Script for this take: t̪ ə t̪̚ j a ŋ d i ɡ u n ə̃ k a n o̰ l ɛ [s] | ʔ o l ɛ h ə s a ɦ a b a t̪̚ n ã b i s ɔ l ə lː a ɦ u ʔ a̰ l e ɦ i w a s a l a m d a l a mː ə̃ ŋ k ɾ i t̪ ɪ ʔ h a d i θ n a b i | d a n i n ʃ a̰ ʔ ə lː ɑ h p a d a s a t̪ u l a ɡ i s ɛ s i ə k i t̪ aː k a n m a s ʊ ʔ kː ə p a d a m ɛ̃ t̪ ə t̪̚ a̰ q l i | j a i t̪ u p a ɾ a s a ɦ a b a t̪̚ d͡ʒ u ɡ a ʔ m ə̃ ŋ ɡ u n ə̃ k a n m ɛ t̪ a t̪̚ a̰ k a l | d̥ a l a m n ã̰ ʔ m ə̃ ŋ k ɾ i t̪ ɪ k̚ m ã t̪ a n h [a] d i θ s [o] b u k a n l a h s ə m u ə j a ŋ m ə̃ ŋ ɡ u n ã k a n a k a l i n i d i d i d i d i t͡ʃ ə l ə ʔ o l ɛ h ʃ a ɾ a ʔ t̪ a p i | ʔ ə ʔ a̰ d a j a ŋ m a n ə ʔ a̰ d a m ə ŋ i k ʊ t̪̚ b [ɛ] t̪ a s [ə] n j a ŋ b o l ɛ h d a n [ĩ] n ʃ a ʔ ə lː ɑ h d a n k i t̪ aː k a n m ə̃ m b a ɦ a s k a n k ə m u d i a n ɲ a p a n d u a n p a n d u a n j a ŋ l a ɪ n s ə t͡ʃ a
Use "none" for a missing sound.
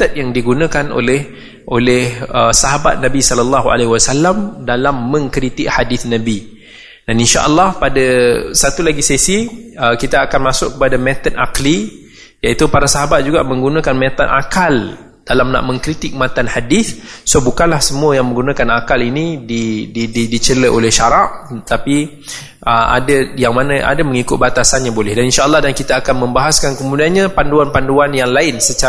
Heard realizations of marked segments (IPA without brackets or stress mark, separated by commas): h, a, o, a, a, i